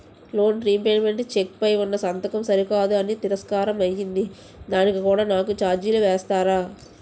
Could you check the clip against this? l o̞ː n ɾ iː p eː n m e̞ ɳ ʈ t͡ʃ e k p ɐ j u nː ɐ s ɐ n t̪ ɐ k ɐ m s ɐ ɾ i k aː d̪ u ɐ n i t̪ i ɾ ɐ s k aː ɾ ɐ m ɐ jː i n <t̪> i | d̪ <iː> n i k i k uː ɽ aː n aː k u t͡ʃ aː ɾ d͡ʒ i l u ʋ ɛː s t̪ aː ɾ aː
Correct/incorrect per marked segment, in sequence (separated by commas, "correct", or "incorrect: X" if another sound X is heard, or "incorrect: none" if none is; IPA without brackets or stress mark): incorrect: d̪, incorrect: aː